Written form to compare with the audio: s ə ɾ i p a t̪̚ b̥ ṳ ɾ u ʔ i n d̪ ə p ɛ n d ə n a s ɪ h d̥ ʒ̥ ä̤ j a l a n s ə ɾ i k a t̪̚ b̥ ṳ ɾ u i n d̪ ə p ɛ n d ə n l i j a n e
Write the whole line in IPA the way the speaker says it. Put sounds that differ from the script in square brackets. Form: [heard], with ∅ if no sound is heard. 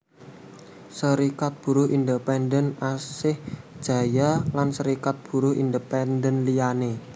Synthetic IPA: s ə ɾ i [k] a t̪̚ b̥ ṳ ɾ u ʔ i n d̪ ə p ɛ n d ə n a s ɪ h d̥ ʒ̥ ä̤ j a l a n s ə ɾ i k a t̪̚ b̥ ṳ ɾ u i n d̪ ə p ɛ n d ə n l i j a n e